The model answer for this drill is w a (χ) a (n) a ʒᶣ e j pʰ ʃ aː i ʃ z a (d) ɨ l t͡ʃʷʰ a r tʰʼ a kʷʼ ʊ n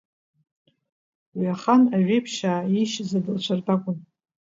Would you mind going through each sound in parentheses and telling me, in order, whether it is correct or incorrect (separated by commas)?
correct, correct, correct